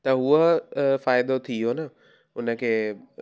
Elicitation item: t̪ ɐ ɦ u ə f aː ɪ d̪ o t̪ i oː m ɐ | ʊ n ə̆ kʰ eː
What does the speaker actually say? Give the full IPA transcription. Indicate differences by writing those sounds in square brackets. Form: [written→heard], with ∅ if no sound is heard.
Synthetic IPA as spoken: t̪ ɐ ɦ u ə f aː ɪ d̪ o [t̪→t̪ʰ] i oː [m→n] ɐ | ʊ n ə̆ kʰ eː